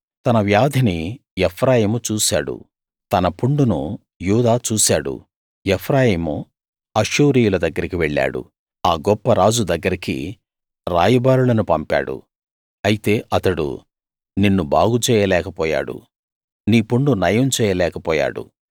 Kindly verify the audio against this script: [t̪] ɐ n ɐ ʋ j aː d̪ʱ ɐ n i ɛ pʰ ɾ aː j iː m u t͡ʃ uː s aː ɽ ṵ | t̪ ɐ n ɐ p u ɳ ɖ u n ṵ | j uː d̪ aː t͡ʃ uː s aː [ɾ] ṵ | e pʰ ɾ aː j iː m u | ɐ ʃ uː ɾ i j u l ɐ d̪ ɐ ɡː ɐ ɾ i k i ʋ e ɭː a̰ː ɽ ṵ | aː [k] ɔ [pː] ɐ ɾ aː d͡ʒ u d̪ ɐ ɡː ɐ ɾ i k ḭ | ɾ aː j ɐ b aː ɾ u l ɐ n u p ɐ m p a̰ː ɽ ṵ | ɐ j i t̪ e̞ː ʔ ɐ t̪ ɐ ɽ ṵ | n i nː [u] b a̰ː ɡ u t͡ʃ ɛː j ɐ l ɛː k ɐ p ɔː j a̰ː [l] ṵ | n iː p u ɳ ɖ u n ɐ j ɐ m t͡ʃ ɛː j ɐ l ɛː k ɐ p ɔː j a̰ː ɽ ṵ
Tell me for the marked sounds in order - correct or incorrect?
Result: correct, incorrect: ɽ, incorrect: ɡ, correct, correct, incorrect: ɽ

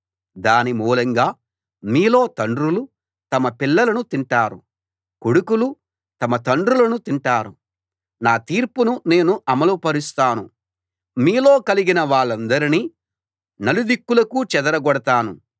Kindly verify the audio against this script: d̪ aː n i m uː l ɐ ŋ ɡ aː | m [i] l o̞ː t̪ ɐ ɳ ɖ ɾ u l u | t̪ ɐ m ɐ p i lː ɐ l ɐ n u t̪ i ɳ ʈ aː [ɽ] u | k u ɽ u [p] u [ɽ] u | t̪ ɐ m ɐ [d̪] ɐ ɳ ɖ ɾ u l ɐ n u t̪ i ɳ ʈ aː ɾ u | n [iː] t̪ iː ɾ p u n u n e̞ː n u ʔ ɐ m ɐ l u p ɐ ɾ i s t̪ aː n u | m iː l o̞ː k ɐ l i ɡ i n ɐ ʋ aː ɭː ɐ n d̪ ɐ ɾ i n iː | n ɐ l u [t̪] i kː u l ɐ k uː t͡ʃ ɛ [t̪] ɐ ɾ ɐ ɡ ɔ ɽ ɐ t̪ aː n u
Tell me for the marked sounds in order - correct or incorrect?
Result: incorrect: iː, incorrect: ɾ, incorrect: k, incorrect: l, incorrect: t̪, incorrect: aː, incorrect: d̪, incorrect: d̪

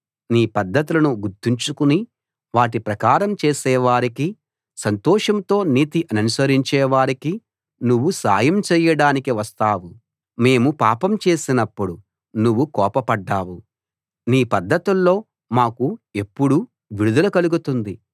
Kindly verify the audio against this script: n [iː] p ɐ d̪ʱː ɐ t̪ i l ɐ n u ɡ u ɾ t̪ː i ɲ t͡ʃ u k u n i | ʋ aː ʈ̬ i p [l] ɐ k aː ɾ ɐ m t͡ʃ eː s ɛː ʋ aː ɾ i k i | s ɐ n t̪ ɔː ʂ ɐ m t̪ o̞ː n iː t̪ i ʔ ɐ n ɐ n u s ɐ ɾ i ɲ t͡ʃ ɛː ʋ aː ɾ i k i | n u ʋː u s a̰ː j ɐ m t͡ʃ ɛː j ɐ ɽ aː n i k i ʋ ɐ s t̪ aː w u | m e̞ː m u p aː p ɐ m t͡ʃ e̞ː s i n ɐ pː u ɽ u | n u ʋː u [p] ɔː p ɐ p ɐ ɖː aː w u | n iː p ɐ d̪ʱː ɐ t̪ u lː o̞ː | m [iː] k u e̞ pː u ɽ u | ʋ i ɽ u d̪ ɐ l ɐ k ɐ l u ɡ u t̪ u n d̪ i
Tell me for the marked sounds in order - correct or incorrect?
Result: correct, incorrect: ɾ, incorrect: k, incorrect: aː

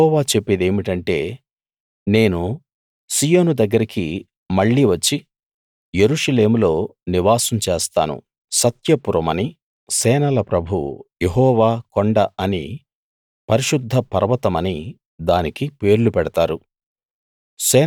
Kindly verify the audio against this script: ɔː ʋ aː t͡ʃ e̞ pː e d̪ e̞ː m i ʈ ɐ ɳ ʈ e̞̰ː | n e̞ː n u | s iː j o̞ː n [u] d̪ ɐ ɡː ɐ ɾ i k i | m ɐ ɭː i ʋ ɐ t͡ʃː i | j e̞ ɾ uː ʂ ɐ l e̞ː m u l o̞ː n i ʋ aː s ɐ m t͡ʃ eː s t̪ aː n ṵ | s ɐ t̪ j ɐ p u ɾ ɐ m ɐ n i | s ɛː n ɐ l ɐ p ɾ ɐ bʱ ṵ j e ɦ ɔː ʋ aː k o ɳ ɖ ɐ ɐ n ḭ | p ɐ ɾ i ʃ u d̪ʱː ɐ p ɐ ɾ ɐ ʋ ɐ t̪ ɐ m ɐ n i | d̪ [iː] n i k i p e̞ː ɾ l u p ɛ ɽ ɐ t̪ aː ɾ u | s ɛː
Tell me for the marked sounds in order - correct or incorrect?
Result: correct, incorrect: aː

